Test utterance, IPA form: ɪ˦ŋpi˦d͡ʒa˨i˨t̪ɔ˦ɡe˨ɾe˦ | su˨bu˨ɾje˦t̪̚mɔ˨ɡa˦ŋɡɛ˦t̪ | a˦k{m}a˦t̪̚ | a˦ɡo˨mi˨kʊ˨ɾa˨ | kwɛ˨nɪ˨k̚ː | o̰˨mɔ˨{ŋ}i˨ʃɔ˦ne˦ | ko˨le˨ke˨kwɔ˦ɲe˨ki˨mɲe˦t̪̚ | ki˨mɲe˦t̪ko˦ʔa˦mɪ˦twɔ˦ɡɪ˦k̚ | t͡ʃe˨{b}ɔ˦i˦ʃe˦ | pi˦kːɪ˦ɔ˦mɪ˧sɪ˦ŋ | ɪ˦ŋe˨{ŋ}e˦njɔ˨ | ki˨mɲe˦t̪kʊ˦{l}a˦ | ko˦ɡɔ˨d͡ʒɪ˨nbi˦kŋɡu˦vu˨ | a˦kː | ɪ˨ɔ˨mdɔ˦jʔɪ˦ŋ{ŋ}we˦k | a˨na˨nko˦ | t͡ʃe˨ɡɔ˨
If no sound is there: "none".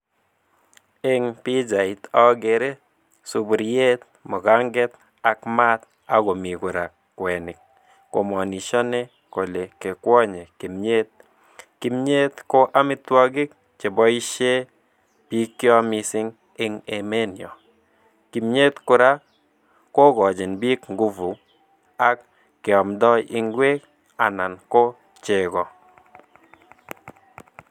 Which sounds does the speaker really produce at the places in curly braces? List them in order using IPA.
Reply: m, n, b, m, ɾ, ɡ

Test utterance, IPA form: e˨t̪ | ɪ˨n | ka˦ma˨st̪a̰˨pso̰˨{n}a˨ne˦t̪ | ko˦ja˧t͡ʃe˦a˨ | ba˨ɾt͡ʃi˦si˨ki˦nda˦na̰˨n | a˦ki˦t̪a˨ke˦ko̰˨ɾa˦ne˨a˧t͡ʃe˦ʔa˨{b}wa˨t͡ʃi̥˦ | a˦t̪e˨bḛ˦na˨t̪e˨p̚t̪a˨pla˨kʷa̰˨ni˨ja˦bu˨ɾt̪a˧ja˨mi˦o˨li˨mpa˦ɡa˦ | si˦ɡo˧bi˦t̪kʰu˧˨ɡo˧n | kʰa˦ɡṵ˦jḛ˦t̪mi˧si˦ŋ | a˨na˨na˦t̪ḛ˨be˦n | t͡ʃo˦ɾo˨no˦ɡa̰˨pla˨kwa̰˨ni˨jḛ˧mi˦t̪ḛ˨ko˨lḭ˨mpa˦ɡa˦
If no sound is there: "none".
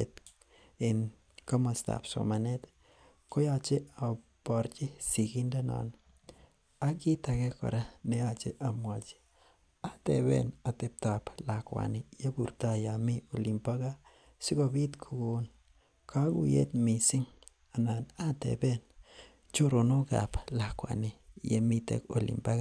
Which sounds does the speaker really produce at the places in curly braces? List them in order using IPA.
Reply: m, m

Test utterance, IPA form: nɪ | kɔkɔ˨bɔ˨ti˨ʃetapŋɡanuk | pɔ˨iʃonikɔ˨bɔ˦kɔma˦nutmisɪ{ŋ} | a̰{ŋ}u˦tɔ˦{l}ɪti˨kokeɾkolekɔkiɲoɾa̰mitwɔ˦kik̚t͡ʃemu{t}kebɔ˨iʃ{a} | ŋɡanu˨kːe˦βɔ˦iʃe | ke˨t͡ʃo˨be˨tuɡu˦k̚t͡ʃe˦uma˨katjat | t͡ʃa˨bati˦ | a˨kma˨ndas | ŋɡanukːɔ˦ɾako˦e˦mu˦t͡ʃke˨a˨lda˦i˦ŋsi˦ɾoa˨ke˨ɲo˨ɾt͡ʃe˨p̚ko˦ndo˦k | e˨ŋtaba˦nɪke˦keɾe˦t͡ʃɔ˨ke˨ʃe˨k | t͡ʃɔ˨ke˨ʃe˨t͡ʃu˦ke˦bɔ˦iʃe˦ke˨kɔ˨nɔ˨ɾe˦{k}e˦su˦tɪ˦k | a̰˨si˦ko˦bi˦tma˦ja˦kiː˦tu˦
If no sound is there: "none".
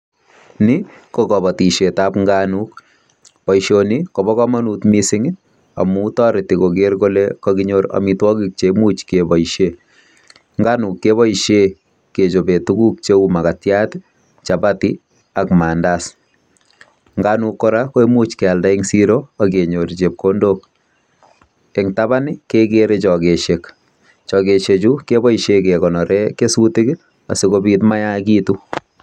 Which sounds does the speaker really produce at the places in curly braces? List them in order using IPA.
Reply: ŋ, m, ɾ, t͡ʃ, e, k

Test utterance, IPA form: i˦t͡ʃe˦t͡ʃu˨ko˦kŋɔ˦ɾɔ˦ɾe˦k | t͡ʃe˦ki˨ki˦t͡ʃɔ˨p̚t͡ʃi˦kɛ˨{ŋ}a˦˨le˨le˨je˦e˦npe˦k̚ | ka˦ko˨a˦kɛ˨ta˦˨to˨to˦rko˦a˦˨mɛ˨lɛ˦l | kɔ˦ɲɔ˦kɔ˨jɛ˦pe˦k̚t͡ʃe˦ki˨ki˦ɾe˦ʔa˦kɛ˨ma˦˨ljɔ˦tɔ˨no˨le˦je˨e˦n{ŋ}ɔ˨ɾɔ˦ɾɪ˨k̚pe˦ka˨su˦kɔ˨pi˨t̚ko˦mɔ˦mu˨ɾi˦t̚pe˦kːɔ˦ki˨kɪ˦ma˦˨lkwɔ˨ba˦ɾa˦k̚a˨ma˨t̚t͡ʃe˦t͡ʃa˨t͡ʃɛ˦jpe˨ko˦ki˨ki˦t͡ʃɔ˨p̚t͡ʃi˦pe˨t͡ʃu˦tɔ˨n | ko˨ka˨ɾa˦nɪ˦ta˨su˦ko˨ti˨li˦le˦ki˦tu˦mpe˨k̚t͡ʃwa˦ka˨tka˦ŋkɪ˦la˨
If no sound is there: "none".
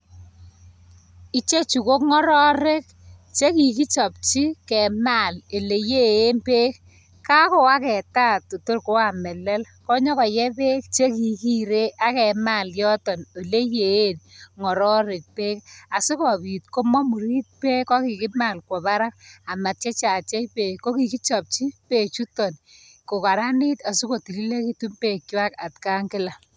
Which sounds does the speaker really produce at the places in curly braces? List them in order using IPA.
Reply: m, ŋ

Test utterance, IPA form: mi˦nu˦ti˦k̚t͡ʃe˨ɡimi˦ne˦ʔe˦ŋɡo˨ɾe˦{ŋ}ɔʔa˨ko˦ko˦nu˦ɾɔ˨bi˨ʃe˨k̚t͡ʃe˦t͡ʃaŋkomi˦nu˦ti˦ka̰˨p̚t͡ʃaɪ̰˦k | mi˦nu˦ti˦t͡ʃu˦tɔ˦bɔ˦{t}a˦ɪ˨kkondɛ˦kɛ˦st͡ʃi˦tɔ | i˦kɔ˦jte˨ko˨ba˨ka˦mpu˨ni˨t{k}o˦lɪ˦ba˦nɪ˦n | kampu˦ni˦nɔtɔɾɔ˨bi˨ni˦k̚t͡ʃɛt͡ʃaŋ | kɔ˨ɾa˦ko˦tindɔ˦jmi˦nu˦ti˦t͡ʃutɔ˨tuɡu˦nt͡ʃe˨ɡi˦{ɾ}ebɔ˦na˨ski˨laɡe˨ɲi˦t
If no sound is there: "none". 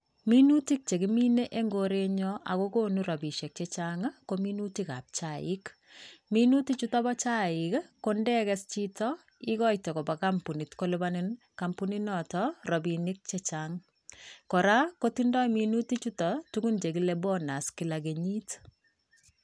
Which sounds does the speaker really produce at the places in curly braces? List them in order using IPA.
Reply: ɲ, t͡ʃ, k, l

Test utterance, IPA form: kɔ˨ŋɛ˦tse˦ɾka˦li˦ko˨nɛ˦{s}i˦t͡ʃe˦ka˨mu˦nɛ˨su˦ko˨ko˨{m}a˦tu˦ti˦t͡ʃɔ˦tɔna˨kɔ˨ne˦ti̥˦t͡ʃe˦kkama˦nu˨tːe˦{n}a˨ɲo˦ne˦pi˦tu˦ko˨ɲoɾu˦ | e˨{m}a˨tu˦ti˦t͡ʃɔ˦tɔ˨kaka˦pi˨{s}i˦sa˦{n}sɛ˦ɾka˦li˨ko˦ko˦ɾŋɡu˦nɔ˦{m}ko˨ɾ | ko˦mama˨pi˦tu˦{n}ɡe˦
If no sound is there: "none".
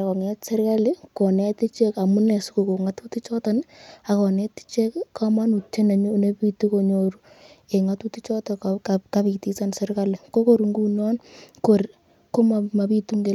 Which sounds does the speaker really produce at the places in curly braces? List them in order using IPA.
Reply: t, ŋ, n, ŋ, t, n, n, ŋ

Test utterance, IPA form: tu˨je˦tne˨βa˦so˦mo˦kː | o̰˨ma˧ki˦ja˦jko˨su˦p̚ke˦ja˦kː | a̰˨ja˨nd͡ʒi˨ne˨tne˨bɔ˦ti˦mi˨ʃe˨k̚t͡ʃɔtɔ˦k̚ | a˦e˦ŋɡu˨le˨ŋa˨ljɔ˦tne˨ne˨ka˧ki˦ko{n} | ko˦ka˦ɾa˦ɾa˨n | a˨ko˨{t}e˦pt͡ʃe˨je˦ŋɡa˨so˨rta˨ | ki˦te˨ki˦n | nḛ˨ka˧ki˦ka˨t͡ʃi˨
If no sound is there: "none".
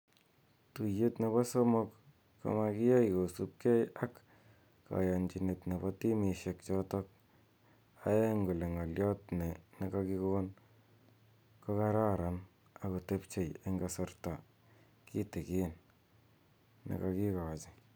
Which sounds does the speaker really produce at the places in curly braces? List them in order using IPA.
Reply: n, t

